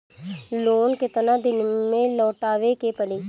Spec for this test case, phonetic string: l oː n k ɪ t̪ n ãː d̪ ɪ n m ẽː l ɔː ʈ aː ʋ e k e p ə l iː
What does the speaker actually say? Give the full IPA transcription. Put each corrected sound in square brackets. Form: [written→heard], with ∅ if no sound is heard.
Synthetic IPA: l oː n k ɪ t̪ n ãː d̪ ɪ n m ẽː l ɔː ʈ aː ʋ e k e p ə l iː